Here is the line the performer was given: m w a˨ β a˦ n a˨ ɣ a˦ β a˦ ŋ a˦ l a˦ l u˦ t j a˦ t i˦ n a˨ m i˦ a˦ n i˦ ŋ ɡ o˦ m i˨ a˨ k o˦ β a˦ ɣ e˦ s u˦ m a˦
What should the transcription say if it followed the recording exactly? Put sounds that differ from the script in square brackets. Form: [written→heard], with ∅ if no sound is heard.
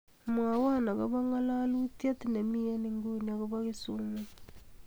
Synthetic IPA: m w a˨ [β→w] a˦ n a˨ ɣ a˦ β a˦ ŋ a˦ l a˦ l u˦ t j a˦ t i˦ n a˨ m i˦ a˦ n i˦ ŋ ɡ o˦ [m→n] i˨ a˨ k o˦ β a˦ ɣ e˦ s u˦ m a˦